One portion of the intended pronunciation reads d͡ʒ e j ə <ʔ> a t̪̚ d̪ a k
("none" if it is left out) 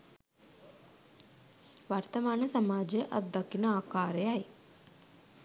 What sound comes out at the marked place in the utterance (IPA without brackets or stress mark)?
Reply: ʔ